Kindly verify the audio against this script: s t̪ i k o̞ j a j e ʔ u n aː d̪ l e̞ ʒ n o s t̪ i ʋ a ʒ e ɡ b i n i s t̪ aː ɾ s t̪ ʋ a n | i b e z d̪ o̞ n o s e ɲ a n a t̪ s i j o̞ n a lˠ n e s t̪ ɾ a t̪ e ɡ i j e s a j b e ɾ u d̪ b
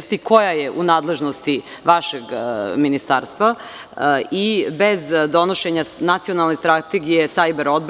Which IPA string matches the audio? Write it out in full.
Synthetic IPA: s t̪ i k o̞ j a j e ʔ u n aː d̪ l e̞ ʒ n o s t̪ i ʋ a ʃ e ɡ m i n i s t̪ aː ɾ s t̪ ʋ a | i b e z d̪ o̞ n o ʃ e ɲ a n a t̪ s i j o̞ n a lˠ n e s t̪ ɾ a t̪ e ɡ i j e s a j b e ɾ o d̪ b